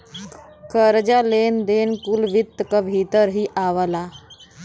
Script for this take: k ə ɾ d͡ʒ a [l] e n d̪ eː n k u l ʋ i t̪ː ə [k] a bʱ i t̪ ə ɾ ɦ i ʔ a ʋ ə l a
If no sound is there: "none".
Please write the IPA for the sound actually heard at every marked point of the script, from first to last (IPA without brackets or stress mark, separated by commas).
l, k